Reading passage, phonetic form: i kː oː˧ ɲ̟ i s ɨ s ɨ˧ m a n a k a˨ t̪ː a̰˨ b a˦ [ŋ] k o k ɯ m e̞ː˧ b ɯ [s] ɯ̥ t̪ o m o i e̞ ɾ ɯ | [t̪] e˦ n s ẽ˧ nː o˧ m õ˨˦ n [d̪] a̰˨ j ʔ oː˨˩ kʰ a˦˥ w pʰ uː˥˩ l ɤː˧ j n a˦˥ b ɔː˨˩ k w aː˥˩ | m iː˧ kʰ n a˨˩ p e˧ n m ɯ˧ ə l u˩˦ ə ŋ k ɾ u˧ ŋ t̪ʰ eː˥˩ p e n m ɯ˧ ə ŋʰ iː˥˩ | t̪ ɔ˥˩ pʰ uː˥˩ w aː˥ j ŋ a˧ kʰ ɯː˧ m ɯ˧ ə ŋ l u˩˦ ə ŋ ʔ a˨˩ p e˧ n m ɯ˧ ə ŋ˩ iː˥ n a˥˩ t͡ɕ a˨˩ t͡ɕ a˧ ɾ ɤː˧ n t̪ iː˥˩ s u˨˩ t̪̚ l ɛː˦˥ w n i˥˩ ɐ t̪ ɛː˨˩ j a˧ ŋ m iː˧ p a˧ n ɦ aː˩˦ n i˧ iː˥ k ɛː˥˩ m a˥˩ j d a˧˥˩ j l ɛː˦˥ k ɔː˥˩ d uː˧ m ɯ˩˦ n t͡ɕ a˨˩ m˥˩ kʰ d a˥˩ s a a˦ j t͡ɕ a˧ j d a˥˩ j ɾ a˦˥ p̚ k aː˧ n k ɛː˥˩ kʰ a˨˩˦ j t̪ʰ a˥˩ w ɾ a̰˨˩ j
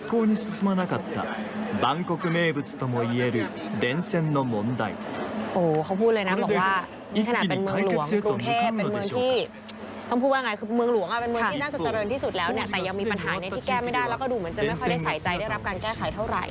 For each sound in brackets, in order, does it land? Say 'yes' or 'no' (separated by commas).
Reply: yes, no, no, yes